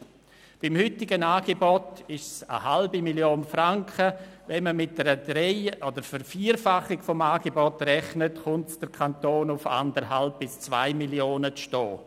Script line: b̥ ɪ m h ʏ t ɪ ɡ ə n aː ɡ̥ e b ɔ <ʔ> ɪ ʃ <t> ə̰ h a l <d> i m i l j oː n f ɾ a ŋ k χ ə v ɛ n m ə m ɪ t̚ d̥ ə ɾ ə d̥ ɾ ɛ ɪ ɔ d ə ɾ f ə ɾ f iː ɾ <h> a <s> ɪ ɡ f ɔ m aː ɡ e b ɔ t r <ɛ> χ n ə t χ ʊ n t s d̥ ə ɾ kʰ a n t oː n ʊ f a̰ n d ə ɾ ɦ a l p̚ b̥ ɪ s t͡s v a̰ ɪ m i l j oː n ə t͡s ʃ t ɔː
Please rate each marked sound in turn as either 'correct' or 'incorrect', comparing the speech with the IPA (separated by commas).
incorrect, incorrect, incorrect, incorrect, incorrect, correct